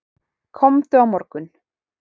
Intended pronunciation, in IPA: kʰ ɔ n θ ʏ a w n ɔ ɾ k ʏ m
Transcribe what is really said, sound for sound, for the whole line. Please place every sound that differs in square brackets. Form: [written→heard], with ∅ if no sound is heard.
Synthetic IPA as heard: kʰ ɔ [n→m] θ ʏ a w [n→m] ɔ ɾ k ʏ [m→n]